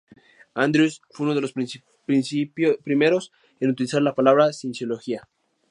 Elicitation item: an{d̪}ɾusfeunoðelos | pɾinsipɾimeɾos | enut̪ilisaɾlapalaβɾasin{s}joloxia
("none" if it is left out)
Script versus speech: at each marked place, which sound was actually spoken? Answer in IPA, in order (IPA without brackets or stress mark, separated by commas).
d̪, s